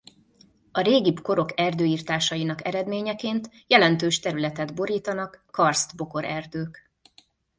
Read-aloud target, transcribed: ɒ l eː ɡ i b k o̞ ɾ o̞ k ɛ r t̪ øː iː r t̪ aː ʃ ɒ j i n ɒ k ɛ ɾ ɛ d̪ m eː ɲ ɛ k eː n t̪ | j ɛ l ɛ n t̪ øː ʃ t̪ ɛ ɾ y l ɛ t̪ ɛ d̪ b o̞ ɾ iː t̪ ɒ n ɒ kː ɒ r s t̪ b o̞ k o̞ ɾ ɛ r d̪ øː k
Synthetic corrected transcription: ɒ ɾ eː ɡ i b k o̞ ɾ o̞ k ɛ r d̪ øː iː r t̪ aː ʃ ɒ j i n ɒ k ɛ ɾ ɛ d̪ m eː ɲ ɛ k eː n t̪ | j ɛ l ɛ n t̪ øː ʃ t̪ ɛ ɾ y l ɛ t̪ ɛ d̪ b o̞ ɾ iː t̪ ɒ n ɒ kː ɒ r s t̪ b o̞ k o̞ ɾ ɛ r d̪ øː k